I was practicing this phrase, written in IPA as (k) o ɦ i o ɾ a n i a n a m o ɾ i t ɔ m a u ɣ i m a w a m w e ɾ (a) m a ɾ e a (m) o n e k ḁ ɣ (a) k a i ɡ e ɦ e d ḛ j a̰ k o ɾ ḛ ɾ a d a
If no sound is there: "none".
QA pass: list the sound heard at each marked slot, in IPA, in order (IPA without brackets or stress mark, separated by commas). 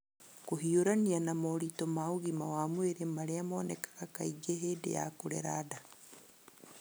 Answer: k, e, m, a